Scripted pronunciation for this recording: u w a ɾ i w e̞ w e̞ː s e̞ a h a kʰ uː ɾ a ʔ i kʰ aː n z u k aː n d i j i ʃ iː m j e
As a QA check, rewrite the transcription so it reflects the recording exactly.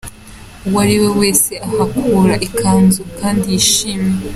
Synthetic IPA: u w a ɾ i w e̞ w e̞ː s e̞ a h a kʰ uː ɾ a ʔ i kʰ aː n z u k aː n d i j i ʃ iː m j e